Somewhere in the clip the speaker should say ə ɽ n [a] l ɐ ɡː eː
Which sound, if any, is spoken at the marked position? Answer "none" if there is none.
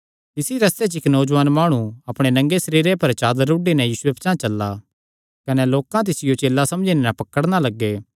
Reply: a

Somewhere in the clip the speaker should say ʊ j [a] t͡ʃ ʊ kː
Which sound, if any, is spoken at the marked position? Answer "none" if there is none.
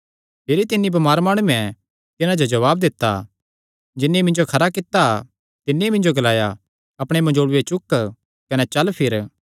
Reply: e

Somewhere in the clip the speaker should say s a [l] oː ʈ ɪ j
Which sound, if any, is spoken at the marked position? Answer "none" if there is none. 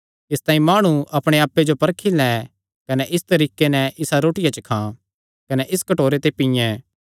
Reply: ɾ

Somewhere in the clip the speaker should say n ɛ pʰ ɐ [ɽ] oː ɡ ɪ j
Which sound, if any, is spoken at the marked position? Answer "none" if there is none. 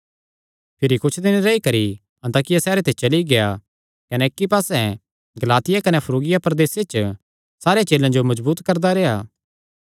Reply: ɾ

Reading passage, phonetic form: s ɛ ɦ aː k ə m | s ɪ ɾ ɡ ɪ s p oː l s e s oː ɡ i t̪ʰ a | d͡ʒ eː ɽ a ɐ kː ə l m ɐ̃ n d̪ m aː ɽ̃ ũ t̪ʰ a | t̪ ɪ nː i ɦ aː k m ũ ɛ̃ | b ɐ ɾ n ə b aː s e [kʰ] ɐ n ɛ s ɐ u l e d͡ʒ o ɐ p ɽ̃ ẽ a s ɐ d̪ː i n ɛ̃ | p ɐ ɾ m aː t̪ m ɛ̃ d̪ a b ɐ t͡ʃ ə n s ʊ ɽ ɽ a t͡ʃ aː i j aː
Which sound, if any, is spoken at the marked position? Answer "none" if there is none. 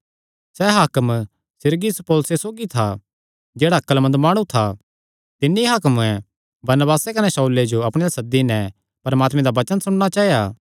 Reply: k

